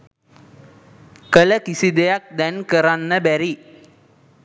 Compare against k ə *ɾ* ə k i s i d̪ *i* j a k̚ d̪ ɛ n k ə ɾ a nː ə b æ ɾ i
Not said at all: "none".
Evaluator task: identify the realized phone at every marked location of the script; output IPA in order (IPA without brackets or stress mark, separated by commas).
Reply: l, e